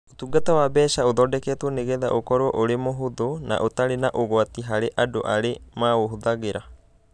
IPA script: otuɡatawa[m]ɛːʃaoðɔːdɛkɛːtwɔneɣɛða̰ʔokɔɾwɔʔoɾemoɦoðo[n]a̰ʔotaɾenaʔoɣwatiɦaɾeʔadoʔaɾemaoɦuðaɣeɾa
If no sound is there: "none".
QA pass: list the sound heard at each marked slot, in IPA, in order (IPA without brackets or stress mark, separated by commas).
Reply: b, n